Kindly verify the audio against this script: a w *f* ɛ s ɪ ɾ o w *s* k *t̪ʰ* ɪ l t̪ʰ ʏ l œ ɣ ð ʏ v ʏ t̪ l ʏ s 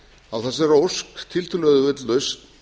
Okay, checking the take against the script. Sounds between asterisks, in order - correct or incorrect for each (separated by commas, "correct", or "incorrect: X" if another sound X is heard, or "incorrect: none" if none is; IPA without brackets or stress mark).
incorrect: θ, correct, correct